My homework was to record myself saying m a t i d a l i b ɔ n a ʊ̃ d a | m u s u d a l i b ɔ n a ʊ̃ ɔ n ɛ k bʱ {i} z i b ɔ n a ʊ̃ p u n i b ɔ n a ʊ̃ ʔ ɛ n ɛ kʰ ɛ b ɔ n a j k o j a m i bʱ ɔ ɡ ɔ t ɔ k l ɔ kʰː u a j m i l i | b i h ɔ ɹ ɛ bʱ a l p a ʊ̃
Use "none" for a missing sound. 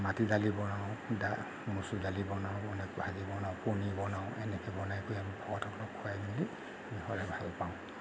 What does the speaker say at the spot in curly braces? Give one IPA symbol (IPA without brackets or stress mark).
a